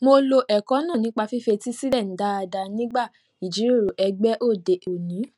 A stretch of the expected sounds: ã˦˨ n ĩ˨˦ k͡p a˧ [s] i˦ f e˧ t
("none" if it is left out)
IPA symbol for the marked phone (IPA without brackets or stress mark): f